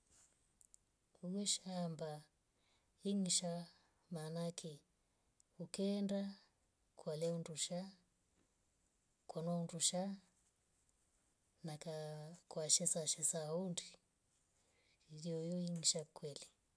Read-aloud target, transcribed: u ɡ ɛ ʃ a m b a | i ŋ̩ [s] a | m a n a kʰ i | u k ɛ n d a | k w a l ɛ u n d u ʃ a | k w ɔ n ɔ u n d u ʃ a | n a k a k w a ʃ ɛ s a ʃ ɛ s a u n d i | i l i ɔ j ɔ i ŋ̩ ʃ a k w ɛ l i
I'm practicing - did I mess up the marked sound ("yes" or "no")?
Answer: yes